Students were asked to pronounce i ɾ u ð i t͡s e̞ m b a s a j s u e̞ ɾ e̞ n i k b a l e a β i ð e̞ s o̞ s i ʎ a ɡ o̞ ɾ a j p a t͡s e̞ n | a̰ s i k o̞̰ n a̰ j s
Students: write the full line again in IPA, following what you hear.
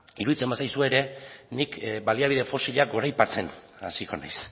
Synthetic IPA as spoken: i ɾ u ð i t͡s e̞ m b a s a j s u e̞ ɾ e̞ n i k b a l i a β i ð e̞ f o̞ s i ʎ a ɡ o̞ ɾ a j p a t͡s e̞ n | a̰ s i k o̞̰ n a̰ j s

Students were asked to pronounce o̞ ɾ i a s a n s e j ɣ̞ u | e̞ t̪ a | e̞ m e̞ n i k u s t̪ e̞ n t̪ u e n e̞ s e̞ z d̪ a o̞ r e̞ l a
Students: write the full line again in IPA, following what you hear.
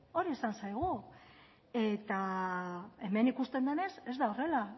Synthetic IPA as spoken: o̞ ɾ i e s a n s a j ɣ̞ u | e̞ t̪ a | e̞ m e̞ n i k u s t̪ e̞ n d̪ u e n e̞ s e̞ z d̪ a o̞ r e̞ l a

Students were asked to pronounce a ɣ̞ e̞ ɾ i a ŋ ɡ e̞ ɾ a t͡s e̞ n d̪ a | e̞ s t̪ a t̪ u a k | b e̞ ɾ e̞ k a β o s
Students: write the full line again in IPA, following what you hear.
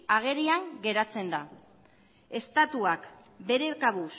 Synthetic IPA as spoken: a ɣ̞ e̞ ɾ i a ŋ ɡ e̞ ɾ a t͡s e̞ n d̪ a | e̞ s t̪ a t̪ u a k | b e̞ ɾ e̞ k a β u s

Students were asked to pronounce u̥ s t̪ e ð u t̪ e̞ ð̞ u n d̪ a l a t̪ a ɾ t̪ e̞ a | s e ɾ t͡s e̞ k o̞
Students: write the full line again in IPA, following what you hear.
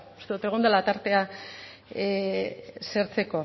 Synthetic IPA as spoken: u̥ s t̪ e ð u t̪ e̞ ɣ̞ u n d̪ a l a t̪ a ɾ t̪ e̞ a | s e ɾ t͡s e̞ k o̞

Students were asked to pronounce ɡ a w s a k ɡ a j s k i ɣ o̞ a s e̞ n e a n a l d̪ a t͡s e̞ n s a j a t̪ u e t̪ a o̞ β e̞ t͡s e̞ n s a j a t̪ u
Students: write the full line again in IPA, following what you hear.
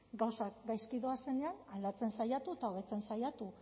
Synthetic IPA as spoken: ɡ a w s a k ɡ a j s k i ð o̞ a s e̞ n e a n a l d̪ a t͡s e̞ n s a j a t̪ u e t̪ a o̞ β e̞ t͡s e̞ n s a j a t̪ u

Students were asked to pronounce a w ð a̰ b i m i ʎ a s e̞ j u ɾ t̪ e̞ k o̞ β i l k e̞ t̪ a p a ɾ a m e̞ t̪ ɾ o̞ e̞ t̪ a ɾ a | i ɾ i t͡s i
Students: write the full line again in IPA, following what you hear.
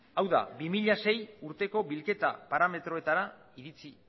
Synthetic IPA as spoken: a w ð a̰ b i m i ʎ a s e̞ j u ɾ t̪ e̞ k o̞ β i l k e̞ t̪ a p a ɾ a m e̞ t̪ ɾ o̞ e̞ t̪ a ɾ a | i ɾ i t͡s i

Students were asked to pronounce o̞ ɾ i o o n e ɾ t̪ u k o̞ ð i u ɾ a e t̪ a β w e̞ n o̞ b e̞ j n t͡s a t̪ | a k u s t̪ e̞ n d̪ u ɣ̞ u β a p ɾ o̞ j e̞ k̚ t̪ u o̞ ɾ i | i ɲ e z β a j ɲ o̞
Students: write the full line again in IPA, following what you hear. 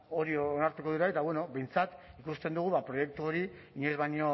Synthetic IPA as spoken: o̞ ɾ i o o n a ɾ t̪ u k o̞ ð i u ɾ a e t̪ a β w e̞ n o̞ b e̞ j n t͡s a t̪ | i k u s t̪ e̞ n d̪ u ɣ̞ u β a p ɾ o̞ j e̞ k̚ t̪ u o̞ ɾ i | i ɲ e z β a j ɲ o̞

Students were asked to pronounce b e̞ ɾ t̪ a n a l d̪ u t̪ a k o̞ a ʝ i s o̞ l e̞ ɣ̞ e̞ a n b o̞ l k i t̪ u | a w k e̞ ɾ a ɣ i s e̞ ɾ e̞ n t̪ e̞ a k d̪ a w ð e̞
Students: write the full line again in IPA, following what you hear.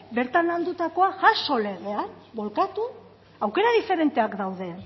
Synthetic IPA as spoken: b e̞ ɾ t̪ a n a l d̪ u t̪ a k o̞ a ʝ a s o̞ l e̞ ɣ̞ e̞ a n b o̞ l k a t̪ u | a w k e̞ ɾ a ð i f e̞ ɾ e̞ n t̪ e̞ a k d̪ a w ð e̞

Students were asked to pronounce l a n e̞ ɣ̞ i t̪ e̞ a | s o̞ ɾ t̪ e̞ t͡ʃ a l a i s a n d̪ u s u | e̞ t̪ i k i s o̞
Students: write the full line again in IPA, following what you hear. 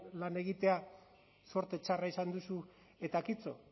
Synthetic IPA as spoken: l a n e̞ ɣ̞ i t̪ e̞ a | s o̞ ɾ t̪ e̞ t͡ʃ a r a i s a n d̪ u s u | e̞ t̪ a k i t͡s o̞

